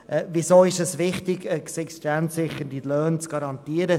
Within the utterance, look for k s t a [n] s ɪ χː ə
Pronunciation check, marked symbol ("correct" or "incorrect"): correct